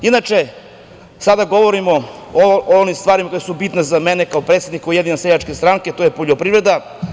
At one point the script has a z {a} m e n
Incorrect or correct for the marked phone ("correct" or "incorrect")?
correct